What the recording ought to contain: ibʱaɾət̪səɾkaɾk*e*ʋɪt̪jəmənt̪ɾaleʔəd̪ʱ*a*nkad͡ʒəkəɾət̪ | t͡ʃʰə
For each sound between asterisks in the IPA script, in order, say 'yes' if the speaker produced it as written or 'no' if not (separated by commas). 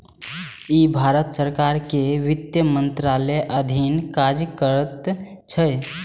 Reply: yes, no